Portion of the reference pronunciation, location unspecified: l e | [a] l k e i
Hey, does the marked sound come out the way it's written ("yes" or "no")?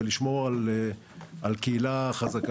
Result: yes